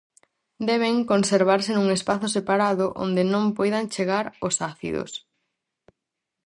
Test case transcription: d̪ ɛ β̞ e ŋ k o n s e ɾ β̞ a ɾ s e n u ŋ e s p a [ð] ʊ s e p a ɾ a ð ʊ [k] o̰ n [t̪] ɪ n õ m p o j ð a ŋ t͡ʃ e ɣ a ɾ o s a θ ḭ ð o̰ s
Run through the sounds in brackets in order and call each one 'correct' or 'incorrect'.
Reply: incorrect, incorrect, incorrect

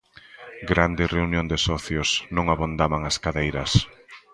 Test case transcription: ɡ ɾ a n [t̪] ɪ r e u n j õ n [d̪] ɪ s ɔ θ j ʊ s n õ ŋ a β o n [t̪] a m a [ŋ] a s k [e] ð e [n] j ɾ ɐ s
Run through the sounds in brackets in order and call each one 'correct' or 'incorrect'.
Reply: incorrect, correct, incorrect, correct, incorrect, incorrect

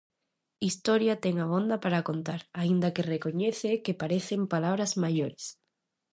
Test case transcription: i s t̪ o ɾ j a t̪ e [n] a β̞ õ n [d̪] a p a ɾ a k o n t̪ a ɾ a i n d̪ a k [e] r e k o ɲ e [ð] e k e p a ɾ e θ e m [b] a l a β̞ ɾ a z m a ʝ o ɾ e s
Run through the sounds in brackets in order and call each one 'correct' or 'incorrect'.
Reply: incorrect, correct, correct, incorrect, incorrect

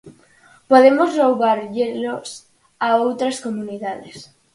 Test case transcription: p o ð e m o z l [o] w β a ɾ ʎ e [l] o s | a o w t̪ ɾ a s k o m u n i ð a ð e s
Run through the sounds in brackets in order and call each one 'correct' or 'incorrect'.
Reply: correct, correct

